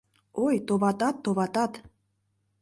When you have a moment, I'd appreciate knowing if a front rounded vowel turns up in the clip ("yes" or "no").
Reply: no